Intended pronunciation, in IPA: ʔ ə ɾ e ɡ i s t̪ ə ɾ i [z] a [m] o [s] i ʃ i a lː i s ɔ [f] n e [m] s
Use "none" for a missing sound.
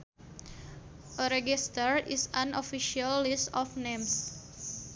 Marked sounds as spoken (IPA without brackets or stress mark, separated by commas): s, n, f, f, m